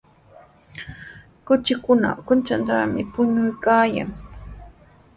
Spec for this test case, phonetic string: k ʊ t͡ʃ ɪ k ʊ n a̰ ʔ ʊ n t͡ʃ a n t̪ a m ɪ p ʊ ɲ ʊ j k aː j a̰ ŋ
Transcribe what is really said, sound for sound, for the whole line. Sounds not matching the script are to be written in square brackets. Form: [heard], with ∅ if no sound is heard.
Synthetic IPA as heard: k ʊ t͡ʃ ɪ k ʊ n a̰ [k] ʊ n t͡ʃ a n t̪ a m ɪ p ʊ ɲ ʊ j k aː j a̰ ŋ